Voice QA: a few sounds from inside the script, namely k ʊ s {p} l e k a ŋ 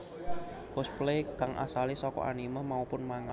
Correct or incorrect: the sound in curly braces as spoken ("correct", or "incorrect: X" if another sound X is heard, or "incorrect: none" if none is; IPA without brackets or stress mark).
correct